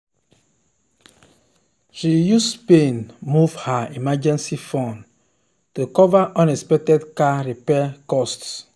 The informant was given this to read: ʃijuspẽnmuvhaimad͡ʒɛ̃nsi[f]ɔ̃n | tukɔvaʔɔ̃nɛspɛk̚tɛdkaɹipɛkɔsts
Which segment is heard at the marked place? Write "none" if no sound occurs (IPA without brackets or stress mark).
f